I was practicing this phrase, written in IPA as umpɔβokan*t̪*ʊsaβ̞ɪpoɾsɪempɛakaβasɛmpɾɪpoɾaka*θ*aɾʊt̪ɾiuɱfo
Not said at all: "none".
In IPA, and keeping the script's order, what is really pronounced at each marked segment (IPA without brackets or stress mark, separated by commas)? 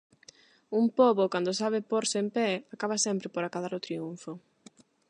d̪, ð